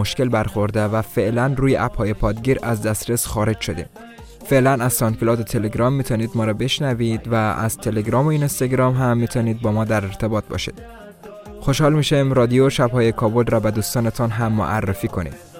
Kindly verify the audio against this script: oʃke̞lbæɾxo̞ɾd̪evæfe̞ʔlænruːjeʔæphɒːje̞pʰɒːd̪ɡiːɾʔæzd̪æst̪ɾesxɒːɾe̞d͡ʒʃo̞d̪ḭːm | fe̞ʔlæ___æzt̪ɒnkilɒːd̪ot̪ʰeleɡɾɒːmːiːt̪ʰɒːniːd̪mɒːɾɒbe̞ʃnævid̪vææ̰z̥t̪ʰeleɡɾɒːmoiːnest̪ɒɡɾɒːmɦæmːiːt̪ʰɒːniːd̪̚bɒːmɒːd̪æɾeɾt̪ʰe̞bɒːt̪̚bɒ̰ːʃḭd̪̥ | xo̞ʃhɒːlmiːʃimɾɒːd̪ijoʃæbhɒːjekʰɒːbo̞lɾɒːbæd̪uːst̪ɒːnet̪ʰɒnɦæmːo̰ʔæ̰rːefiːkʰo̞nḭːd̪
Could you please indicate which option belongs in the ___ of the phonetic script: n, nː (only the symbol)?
n